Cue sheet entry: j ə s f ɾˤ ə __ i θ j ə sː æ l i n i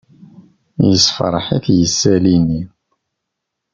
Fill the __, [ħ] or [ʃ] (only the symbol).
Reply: ħ